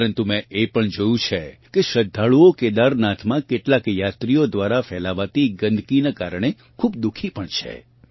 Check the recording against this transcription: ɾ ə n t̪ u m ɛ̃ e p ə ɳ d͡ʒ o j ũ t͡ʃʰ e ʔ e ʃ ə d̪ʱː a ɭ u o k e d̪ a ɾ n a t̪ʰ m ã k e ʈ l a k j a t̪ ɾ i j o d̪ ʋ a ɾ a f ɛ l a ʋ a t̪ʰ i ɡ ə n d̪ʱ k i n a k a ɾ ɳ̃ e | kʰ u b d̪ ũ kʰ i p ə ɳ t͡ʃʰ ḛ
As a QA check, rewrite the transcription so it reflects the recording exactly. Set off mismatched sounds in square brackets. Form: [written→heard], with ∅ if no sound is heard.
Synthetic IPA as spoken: ɾ ə n t̪ u m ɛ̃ e p ə ɳ d͡ʒ o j ũ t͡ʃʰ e [ʔ→k] e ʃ ə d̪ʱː a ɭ u o k e d̪ a ɾ n a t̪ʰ m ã k e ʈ l a k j a t̪ ɾ i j o d̪ ʋ a ɾ a f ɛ l a ʋ a [t̪ʰ→t̪] i ɡ ə n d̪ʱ k i n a k a ɾ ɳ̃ e | kʰ u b d̪ [ũ→u] kʰ i p ə ɳ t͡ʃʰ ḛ